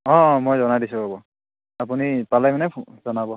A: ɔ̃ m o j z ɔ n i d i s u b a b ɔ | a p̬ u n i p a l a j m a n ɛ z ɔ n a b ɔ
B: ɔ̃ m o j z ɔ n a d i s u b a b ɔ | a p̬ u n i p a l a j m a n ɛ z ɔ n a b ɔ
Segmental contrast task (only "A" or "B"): B